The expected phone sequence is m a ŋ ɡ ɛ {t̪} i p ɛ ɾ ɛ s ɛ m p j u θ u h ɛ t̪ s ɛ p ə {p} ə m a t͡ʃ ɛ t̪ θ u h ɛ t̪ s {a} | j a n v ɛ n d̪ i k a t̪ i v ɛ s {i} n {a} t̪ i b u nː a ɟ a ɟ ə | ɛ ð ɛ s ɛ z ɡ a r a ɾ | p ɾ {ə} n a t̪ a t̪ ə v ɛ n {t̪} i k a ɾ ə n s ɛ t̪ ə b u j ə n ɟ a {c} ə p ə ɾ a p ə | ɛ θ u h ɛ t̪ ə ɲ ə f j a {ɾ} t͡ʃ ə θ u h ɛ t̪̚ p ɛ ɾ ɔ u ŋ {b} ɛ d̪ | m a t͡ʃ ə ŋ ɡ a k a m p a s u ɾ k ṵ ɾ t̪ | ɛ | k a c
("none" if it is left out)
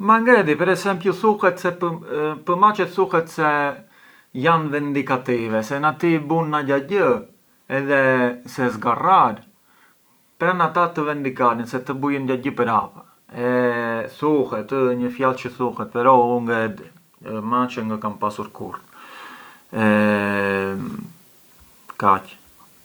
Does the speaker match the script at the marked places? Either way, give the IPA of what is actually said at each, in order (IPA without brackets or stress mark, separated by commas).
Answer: d̪, p, ɛ, ɛ, a, a, d̪, ɟ, l, ɡ